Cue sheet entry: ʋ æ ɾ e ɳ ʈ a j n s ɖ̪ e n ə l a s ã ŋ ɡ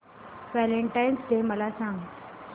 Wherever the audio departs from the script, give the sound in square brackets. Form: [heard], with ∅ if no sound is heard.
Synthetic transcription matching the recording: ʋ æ [l] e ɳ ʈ a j n s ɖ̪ e [m] ə l a s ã ŋ ɡ